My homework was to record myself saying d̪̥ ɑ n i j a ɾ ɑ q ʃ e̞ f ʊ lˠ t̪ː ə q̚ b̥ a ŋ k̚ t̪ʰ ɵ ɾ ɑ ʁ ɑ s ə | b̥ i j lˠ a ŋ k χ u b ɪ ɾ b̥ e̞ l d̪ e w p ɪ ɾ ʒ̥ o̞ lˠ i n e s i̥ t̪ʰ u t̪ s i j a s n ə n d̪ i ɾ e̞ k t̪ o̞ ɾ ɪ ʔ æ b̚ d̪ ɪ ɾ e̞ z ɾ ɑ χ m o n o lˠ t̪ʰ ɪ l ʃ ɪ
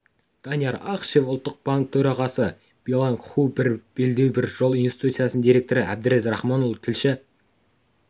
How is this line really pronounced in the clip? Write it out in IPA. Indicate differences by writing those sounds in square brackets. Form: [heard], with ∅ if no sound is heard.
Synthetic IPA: d̪̥ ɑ n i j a ɾ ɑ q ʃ e̞ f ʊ lˠ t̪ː ə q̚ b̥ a ŋ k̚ t̪ʰ ɵ ɾ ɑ ʁ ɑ s ə | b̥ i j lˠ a ŋ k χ u b ɪ ɾ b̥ e̞ l d̪ e w [b] ɪ ɾ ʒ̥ o̞ lˠ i n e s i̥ [t̪] u t̪ s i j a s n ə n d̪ i ɾ e̞ k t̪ o̞ ɾ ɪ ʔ æ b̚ d̪ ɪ ɾ e̞ z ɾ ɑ χ m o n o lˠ t̪ʰ ɪ l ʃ ɪ